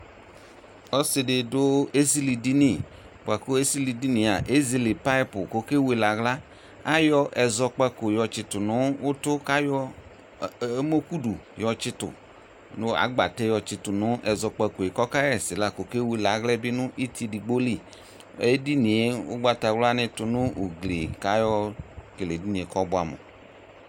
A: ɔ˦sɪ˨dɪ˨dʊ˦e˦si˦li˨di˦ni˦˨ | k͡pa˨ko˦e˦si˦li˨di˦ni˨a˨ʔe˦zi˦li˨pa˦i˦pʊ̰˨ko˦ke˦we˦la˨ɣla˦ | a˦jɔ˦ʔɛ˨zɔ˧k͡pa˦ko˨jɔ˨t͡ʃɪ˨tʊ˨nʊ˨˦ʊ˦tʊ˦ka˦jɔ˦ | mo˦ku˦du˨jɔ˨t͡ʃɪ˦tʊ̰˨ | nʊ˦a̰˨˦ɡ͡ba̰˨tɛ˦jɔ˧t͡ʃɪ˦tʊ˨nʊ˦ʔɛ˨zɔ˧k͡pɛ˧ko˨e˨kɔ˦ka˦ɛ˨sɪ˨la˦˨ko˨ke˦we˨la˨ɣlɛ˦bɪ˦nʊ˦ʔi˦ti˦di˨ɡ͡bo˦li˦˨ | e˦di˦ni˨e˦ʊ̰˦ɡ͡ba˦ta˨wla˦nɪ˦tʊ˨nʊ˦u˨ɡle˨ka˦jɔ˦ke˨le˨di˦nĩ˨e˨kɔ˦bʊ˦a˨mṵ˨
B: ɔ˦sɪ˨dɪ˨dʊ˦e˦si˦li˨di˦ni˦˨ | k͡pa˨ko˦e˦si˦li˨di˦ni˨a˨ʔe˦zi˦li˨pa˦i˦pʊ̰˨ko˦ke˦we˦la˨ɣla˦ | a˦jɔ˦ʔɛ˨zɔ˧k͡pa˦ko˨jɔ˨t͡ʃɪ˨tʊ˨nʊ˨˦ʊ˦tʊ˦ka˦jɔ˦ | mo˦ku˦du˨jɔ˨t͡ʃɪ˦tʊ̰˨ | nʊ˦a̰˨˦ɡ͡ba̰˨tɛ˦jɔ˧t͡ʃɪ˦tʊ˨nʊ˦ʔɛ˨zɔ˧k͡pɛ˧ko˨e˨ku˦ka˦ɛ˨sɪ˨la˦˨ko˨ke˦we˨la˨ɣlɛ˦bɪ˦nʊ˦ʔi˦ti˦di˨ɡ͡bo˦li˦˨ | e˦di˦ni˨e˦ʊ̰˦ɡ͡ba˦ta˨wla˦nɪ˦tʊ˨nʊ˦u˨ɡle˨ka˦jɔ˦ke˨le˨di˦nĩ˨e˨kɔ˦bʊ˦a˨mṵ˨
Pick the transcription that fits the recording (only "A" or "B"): A